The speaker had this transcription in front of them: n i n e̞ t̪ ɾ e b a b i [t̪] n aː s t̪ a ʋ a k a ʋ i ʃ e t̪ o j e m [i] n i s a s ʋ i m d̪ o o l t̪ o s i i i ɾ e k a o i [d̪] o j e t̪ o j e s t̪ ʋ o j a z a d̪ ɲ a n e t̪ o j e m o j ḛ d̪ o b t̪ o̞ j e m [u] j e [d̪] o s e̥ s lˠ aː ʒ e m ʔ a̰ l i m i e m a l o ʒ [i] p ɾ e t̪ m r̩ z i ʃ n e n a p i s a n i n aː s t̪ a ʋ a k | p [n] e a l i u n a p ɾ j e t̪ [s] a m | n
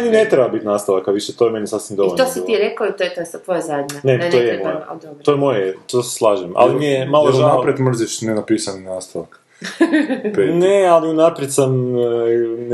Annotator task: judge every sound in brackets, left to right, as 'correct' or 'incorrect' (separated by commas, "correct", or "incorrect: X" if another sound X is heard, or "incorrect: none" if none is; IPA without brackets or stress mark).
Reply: correct, incorrect: e, incorrect: t̪, incorrect: o, incorrect: t̪, incorrect: a, correct, correct